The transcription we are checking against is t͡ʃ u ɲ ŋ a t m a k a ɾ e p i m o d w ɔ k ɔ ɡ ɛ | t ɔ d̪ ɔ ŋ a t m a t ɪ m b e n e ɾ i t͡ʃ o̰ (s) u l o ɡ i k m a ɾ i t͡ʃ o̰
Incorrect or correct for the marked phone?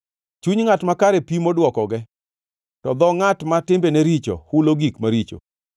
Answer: incorrect: h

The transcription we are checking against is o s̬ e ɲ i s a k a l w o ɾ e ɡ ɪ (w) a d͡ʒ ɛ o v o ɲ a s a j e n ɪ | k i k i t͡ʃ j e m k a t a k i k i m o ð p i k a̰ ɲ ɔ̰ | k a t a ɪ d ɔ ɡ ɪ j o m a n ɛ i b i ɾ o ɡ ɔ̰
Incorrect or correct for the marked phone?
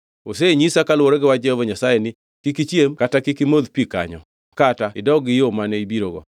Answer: correct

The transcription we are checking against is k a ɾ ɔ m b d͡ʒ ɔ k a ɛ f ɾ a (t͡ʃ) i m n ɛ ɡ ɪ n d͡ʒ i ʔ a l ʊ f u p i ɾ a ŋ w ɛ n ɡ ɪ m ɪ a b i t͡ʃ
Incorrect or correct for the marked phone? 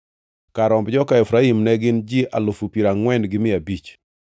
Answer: incorrect: none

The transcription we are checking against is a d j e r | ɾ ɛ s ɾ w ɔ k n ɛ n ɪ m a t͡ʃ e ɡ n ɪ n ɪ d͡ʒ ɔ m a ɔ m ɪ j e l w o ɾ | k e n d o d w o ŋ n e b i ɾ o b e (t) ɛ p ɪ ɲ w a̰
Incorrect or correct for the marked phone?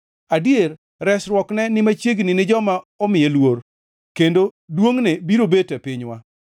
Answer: correct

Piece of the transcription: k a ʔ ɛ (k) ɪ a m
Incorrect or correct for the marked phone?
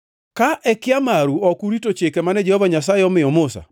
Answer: correct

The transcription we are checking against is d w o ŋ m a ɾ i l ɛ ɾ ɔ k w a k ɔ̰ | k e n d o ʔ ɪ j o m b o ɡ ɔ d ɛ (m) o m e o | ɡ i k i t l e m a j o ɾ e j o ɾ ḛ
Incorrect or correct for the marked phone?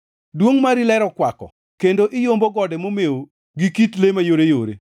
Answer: correct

